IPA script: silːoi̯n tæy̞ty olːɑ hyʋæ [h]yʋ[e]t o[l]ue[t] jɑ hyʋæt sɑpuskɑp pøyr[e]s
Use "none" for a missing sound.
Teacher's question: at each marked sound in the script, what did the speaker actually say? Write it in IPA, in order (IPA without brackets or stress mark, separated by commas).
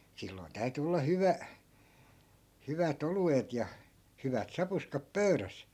h, æ, l, t, æ